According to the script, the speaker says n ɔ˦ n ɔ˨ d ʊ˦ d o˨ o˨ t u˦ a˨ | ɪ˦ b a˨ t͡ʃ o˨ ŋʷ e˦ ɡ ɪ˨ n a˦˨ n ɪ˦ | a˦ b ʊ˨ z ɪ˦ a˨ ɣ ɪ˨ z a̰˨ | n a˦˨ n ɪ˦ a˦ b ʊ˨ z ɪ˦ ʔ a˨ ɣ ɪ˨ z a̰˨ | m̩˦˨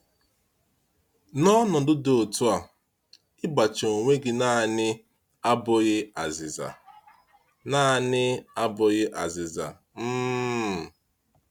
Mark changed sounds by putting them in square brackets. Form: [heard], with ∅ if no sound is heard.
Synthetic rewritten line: n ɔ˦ n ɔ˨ d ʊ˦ d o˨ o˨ t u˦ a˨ | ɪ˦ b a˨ t͡ʃ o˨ ŋʷ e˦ ɡ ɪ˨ n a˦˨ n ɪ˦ | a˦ b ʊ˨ [ɣ] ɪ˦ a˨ [z] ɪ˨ z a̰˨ | n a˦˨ n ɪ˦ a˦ b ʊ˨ [ɣ] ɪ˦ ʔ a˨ [z] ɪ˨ z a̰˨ | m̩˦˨